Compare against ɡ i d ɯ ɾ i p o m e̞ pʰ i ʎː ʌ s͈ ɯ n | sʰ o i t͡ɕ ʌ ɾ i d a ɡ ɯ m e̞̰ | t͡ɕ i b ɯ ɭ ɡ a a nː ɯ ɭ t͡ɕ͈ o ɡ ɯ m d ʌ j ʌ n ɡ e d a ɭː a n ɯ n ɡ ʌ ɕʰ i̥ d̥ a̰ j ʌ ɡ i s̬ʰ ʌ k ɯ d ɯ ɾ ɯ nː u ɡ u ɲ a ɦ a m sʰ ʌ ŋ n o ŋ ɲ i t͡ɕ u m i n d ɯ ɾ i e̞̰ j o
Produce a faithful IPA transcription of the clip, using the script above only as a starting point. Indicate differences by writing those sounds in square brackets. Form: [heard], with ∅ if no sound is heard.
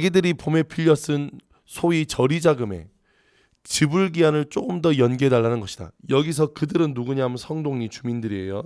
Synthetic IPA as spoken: ɡ i d ɯ ɾ i p o m e̞ pʰ i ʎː ʌ s͈ ɯ n | sʰ o i t͡ɕ ʌ ɾ i [d͡ʑ] a ɡ ɯ m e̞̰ | t͡ɕ i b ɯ ɭ ɡ [i] a [n] ɯ ɭ t͡ɕ͈ o ɡ ɯ m d ʌ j ʌ n ɡ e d a ɭː a n ɯ n ɡ ʌ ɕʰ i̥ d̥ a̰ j ʌ ɡ i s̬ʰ ʌ k ɯ d ɯ ɾ ɯ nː u ɡ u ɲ a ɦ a m sʰ ʌ ŋ [d] o ŋ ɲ i t͡ɕ u m i n d ɯ ɾ i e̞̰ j o

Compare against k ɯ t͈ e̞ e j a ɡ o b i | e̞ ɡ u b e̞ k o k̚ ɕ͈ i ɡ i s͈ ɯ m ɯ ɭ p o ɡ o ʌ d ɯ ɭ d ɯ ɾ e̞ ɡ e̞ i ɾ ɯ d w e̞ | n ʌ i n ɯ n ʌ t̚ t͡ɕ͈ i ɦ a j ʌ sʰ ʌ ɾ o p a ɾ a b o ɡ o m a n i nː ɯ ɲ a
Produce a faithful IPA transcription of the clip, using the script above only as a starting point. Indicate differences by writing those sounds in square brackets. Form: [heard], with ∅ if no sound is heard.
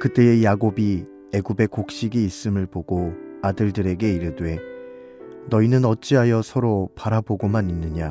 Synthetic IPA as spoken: k ɯ t͈ e̞ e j a ɡ o b i | e̞ ɡ u b e̞ k o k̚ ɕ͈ i ɡ [iː] s͈ ɯ m ɯ ɭ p o ɡ o [a] d ɯ ɭ d ɯ ɾ e̞ ɡ e̞ i ɾ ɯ d w e̞ | n ʌ i n ɯ n ʌ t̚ t͡ɕ͈ i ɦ a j ʌ sʰ ʌ ɾ o p a ɾ a b o ɡ o m a n i nː ɯ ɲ a

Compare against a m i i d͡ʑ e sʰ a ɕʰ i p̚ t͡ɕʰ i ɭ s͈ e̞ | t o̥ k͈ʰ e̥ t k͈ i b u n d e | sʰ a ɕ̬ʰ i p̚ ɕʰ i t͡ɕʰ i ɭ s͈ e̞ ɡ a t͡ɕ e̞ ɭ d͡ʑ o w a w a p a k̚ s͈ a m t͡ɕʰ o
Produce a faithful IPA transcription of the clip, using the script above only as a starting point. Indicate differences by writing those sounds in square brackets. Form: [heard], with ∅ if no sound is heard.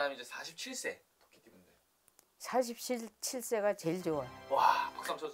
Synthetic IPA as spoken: a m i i d͡ʑ e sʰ a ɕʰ i p̚ t͡ɕʰ i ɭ s͈ e̞ | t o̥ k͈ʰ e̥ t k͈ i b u n d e | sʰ a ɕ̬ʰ i p̚ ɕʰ i t͡ɕʰ i ɭ s͈ e̞ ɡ a t͡ɕ e̞ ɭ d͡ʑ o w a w a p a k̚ s͈ a m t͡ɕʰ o

